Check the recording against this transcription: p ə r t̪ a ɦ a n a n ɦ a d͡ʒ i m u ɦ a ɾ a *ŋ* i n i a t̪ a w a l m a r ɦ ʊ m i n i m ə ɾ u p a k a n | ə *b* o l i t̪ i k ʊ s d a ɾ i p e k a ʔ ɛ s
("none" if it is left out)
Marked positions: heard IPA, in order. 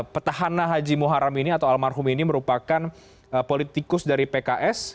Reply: m, p

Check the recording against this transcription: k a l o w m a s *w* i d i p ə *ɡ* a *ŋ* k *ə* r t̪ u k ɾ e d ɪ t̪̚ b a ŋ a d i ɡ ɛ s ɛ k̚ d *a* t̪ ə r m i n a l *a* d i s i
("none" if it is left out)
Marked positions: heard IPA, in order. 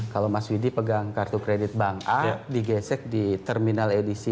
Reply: w, ɡ, ŋ, a, i, e

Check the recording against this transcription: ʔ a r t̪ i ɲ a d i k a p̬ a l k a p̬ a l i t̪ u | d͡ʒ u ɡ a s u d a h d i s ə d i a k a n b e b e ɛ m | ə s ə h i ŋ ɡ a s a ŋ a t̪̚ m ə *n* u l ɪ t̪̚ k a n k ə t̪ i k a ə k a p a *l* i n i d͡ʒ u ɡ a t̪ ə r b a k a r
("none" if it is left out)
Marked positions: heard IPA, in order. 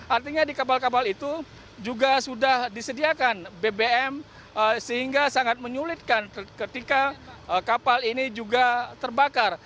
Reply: ɲ, l

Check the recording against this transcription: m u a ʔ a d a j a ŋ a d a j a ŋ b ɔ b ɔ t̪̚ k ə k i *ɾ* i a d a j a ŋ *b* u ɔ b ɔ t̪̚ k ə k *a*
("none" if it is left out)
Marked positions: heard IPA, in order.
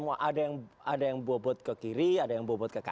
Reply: ɾ, b, a

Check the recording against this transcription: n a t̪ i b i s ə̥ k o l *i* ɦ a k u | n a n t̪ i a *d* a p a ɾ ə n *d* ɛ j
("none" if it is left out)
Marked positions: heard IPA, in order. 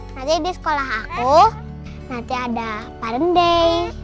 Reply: a, d, d

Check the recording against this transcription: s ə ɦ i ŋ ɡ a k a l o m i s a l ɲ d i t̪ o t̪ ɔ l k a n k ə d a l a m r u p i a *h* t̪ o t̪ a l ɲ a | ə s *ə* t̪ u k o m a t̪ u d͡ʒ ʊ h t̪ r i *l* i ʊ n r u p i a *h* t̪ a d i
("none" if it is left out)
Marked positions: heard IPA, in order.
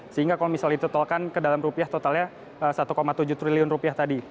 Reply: h, a, l, h

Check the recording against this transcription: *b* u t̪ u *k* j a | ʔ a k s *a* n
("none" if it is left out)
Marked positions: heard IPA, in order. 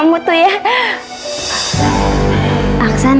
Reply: m, none, a

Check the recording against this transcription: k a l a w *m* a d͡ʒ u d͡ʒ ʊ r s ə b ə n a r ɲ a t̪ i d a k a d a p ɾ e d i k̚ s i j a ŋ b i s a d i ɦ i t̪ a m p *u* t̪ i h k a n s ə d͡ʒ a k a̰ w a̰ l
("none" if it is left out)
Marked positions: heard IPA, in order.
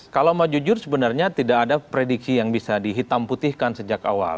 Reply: m, u

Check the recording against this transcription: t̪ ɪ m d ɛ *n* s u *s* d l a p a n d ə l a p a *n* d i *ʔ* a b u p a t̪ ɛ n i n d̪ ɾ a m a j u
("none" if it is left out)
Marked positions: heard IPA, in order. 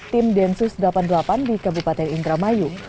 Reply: n, s, n, k

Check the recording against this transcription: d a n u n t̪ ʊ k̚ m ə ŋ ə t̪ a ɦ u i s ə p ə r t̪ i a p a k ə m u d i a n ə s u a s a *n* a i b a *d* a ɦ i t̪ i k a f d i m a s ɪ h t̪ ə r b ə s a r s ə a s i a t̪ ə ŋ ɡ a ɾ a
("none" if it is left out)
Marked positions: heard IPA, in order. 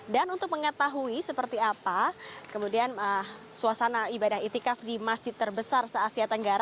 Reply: n, d

